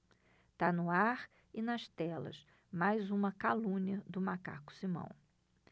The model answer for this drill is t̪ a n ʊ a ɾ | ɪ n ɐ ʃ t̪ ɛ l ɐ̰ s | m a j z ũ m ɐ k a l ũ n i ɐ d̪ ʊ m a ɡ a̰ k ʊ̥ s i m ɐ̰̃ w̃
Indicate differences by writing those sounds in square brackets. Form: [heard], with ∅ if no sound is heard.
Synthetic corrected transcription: t̪ a n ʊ a ɾ | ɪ n ɐ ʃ t̪ ɛ l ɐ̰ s | m a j z ũ m ɐ k a l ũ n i ɐ d̪ ʊ m a [k] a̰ k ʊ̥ s i m ɐ̰̃ w̃